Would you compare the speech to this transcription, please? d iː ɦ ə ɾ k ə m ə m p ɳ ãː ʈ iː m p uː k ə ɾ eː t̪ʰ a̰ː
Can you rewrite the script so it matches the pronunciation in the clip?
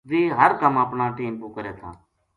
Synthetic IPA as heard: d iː ɦ ə ɾ k ə m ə p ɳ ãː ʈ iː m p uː k ə ɾ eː t̪ʰ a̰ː